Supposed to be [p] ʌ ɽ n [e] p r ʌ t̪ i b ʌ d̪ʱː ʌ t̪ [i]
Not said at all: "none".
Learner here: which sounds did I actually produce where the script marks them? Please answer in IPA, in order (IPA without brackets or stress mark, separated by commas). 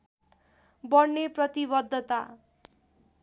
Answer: b, e, a